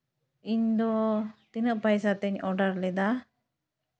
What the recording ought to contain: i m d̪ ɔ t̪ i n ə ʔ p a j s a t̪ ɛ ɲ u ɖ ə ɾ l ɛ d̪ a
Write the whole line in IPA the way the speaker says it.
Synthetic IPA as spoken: i ɲ d̪ ɔ t̪ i n ə ʔ p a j s a t̪ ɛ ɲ ɔ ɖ a ɾ l ɛ d̪ a